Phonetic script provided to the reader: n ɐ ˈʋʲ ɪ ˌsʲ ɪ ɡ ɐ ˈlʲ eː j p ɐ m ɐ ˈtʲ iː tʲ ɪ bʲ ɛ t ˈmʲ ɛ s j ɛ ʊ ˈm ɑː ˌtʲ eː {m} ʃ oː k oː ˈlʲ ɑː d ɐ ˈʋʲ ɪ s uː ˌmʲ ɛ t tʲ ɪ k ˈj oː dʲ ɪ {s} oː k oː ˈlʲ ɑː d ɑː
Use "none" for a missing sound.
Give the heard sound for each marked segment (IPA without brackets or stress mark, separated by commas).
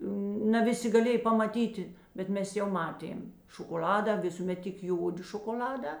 m, ʃ